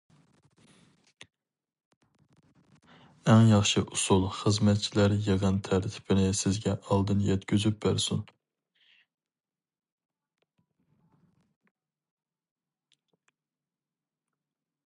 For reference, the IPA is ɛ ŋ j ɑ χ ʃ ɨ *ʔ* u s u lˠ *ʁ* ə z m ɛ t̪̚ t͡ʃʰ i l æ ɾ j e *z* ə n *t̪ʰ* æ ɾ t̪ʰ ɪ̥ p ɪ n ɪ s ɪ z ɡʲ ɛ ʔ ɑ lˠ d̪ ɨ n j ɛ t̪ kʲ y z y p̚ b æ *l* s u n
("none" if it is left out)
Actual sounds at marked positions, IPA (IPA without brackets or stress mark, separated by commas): ʔ, χ, ʁ, t̪ʰ, ɾ